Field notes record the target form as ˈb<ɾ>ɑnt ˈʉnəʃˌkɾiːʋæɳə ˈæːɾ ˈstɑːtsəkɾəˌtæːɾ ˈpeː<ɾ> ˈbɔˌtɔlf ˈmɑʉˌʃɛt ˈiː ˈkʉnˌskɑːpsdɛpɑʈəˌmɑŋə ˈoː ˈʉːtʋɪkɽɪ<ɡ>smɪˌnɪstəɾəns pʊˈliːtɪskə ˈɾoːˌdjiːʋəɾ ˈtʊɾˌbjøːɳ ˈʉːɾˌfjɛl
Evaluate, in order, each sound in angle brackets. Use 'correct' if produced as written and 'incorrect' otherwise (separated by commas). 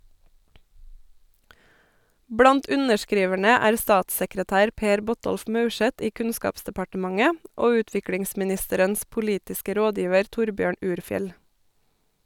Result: incorrect, correct, incorrect